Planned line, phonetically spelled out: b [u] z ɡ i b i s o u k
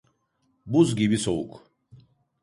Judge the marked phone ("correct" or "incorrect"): correct